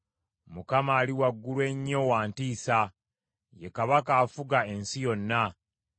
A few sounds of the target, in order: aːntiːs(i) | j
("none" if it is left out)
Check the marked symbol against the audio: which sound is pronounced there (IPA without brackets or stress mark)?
a